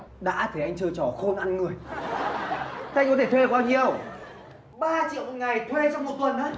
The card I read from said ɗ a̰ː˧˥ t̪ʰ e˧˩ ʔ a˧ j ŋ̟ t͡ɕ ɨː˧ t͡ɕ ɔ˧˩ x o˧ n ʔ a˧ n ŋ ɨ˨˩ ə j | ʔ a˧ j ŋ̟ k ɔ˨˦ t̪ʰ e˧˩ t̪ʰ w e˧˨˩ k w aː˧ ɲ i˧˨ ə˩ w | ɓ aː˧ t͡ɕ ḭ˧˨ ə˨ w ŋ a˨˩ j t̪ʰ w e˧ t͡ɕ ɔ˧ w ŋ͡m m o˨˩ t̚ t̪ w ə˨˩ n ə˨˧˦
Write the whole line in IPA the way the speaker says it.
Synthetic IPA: ɗ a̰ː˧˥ t̪ʰ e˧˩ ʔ a˧ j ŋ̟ t͡ɕ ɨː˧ t͡ɕ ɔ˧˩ x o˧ n ʔ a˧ n ŋ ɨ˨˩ ə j | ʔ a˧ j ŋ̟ k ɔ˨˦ t̪ʰ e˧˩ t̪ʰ w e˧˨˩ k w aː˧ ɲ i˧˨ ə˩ w | ɓ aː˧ t͡ɕ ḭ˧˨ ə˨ w ŋ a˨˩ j t̪ʰ w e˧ t͡ɕ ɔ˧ w ŋ͡m m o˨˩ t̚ t̪ w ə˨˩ n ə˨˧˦